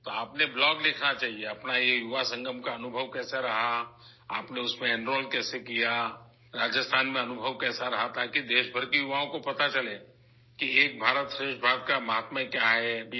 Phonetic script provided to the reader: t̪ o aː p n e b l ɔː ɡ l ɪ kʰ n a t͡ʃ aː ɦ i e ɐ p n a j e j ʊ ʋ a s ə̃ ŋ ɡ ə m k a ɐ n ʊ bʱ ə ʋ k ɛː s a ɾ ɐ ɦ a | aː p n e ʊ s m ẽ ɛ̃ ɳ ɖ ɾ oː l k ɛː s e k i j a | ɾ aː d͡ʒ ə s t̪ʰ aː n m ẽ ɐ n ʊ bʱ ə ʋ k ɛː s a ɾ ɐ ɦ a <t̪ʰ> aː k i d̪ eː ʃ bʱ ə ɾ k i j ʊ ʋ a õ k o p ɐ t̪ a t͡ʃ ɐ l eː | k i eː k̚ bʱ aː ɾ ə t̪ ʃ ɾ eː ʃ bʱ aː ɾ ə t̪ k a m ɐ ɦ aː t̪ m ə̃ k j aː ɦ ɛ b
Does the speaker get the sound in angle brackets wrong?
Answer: yes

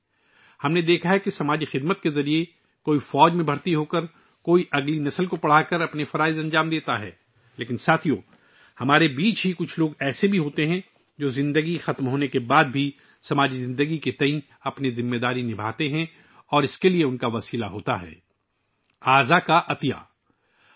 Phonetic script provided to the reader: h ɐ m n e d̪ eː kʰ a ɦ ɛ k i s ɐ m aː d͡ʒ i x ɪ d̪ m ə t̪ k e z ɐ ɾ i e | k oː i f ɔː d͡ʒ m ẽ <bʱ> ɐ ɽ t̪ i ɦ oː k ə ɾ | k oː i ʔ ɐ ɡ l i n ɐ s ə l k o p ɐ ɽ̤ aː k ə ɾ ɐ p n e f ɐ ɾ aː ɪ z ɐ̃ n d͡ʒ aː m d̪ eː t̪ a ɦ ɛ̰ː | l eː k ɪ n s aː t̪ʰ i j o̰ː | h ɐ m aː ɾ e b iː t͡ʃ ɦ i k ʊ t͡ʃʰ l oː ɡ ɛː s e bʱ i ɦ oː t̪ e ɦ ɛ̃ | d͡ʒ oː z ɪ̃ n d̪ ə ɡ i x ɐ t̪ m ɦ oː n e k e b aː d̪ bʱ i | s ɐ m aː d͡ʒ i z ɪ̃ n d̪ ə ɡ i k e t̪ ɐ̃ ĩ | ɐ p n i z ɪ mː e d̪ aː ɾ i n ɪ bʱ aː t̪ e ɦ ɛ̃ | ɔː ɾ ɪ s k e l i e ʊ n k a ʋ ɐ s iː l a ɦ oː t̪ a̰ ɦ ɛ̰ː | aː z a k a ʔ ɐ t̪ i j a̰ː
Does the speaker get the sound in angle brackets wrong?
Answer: no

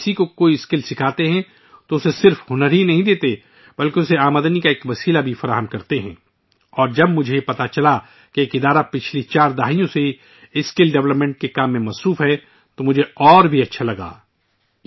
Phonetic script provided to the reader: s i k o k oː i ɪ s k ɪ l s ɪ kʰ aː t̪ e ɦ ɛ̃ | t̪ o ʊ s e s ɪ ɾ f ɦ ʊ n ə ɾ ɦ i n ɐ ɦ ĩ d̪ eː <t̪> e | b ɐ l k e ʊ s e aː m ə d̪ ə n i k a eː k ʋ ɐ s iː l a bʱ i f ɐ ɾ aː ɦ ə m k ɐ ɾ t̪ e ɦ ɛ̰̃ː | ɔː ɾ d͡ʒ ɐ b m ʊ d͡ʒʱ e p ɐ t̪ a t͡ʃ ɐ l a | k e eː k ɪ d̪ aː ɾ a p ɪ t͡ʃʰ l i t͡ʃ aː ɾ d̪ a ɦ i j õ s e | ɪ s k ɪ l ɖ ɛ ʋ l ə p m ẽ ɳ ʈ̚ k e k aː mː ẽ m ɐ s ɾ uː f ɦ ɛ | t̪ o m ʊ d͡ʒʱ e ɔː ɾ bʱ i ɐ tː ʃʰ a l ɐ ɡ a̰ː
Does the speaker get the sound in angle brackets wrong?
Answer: no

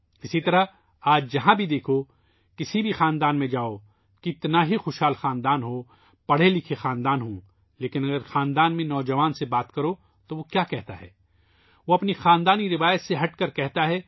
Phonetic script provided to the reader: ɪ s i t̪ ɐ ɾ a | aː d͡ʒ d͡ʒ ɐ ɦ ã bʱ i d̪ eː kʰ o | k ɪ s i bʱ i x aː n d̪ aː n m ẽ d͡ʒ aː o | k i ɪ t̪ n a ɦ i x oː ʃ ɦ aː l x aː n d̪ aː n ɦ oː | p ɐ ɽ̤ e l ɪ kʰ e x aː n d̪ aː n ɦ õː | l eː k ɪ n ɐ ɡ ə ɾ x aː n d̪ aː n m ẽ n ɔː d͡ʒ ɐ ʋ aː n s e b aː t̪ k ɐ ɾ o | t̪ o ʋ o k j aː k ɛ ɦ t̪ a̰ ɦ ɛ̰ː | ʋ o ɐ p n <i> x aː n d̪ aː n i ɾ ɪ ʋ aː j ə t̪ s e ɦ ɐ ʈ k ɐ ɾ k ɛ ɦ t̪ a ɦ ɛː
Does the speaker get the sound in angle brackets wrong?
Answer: no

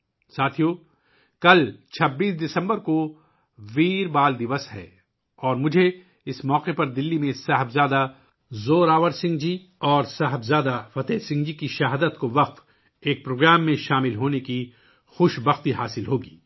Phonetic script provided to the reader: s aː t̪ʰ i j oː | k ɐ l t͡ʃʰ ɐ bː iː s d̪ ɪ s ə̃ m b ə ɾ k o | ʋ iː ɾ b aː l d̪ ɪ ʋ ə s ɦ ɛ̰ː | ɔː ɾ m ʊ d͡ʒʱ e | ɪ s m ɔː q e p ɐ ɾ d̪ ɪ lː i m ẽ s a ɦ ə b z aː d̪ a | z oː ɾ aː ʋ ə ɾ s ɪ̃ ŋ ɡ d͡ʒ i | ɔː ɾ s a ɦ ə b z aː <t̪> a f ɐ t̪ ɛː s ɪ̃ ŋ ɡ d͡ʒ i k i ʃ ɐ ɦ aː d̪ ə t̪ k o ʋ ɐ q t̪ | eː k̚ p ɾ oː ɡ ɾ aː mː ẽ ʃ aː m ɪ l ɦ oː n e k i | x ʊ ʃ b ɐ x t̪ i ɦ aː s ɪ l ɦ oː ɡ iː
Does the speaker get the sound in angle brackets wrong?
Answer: yes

